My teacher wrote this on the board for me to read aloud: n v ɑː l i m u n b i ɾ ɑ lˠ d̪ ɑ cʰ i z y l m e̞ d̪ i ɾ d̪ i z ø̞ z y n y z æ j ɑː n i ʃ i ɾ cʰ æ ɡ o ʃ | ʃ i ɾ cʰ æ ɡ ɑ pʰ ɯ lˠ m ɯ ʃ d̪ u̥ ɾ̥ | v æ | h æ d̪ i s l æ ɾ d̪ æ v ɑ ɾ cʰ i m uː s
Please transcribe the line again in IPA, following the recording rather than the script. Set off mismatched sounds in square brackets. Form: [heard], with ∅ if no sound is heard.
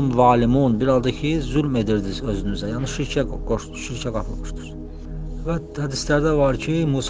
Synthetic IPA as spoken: n v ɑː l i m u n b i ɾ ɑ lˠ d̪ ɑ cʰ i z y l m e̞ d̪ i ɾ d̪ i z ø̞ z y n y z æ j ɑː n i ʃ i ɾ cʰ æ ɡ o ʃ | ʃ i ɾ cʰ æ ɡ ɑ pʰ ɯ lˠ m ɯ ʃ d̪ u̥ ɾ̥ | v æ | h æ d̪ i s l æ ɾ d̪ æ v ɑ ɾ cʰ i m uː s